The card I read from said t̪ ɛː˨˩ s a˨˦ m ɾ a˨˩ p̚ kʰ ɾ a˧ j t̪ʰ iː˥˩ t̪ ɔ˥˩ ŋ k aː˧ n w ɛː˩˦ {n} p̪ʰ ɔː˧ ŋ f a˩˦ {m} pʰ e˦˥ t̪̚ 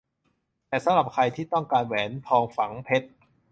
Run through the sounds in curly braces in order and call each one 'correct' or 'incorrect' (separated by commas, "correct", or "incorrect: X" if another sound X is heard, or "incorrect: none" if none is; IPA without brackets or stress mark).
correct, incorrect: ŋ